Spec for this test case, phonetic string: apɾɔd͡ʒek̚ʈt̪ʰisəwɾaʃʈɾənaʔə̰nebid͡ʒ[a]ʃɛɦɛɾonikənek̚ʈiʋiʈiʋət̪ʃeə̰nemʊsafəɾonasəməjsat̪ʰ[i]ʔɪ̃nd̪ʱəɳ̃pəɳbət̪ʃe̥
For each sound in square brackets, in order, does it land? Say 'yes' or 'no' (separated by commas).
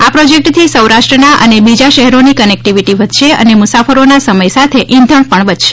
yes, no